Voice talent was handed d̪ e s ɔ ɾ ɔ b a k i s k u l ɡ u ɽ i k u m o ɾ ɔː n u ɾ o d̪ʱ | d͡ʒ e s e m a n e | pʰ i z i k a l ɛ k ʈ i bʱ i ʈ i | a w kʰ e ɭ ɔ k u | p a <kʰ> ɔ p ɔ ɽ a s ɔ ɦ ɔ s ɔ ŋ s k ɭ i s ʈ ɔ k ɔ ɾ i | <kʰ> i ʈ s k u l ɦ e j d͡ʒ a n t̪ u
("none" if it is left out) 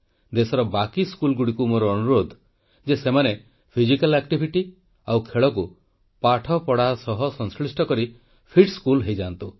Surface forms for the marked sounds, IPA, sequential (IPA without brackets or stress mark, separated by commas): ʈʰ, pʰ